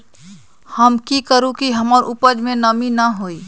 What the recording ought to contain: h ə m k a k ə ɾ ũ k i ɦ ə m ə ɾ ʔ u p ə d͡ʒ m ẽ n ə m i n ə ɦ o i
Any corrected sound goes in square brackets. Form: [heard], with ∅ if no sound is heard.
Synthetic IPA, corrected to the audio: h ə m k [i] k ə ɾ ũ k i ɦ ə m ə ɾ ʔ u p ə d͡ʒ m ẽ n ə m i n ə ɦ o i